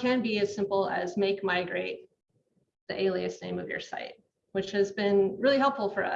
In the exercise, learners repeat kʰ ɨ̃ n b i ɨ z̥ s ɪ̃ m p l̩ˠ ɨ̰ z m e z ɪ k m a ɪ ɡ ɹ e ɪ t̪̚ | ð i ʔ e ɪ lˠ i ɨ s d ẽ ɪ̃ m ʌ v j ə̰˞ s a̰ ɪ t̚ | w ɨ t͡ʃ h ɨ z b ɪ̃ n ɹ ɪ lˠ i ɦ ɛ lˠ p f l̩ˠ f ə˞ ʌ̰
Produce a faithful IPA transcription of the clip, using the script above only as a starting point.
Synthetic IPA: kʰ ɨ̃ n b i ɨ z̥ s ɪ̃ m p l̩ˠ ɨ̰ z m e ɪ k m a ɪ ɡ ɹ e ɪ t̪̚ | ð i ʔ e ɪ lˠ i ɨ s n ẽ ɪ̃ m ʌ v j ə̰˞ s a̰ ɪ t̚ | w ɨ t͡ʃ h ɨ z b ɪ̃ n ɹ ɪ lˠ i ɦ ɛ lˠ p f l̩ˠ f ə˞ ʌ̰